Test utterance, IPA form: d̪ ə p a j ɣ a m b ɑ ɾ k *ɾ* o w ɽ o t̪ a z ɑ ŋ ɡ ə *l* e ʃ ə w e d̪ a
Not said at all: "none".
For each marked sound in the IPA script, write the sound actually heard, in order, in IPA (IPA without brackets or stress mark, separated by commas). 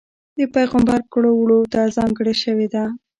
ɽ, ɽ